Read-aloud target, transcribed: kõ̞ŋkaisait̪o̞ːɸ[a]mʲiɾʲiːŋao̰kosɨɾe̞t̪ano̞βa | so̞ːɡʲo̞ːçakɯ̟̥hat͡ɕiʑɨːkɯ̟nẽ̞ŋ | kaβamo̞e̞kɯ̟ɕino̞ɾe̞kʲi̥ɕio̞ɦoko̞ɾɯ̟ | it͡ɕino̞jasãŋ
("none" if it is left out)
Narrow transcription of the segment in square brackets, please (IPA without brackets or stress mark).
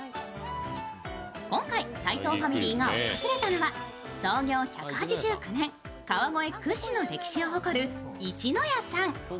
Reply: a